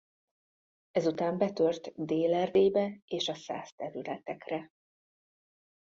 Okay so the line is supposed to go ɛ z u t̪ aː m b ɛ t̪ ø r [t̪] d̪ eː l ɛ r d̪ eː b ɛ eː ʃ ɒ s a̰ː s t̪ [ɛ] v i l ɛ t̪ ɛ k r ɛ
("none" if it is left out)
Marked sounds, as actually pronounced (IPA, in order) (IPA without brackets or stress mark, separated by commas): t̪, ɛ